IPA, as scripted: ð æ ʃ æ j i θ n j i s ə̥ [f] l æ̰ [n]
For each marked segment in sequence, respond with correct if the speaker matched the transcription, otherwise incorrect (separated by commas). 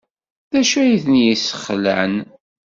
incorrect, correct